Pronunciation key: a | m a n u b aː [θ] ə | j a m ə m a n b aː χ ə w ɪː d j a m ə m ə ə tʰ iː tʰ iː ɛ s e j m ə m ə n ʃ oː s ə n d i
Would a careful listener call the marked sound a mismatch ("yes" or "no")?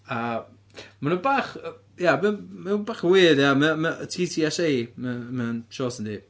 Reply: yes